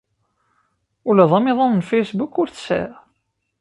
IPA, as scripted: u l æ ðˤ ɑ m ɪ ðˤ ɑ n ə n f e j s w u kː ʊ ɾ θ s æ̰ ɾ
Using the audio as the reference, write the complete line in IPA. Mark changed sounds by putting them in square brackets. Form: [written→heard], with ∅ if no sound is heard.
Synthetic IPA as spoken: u l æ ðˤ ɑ m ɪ ðˤ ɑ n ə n f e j s [w→b] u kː ʊ ɾ θ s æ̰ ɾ